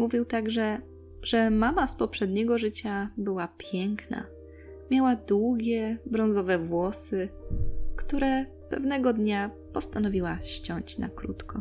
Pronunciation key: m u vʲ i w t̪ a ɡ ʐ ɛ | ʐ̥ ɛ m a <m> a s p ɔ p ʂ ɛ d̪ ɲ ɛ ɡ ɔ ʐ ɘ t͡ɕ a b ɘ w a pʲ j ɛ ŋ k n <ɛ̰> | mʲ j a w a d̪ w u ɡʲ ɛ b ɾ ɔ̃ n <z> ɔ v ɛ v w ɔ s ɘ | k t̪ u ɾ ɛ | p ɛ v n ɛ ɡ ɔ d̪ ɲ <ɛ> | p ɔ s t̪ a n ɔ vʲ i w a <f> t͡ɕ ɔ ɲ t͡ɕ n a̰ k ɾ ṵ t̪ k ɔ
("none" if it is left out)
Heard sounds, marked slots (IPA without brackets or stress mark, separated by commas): m, a̰, z, a, ɕ